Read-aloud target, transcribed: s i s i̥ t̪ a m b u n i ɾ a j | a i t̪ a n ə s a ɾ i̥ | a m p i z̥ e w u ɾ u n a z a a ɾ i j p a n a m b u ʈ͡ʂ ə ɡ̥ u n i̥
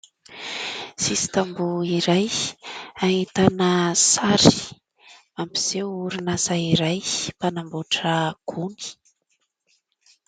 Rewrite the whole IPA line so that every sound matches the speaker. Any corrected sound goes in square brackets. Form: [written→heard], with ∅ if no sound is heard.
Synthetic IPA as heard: s i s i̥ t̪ a m b u [n→∅] i ɾ a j | a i t̪ a n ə s a ɾ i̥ | a m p i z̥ e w u ɾ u n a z a [a→i] ɾ [i→a] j p a n a m b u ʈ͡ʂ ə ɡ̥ u n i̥

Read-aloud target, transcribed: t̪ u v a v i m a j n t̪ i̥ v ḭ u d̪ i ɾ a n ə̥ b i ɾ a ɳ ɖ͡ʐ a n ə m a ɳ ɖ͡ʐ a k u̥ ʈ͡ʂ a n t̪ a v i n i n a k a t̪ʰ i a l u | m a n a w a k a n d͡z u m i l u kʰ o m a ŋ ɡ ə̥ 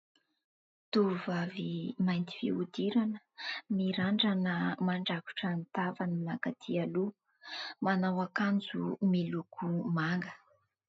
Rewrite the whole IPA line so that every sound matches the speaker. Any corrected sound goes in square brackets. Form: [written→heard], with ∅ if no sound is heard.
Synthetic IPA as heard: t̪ u v a v i m a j n t̪ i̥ [v→f] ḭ u d̪ i ɾ a n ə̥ [b→m] i ɾ a ɳ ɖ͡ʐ a n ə m a ɳ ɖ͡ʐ a k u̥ ʈ͡ʂ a n t̪ a v [i→a] n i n a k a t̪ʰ i a l u | m a n a w a k a n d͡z u m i l u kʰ [o→u] m a ŋ ɡ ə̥

